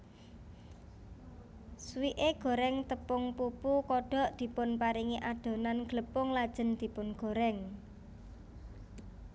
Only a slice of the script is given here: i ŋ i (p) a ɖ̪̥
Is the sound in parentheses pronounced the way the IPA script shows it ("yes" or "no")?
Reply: no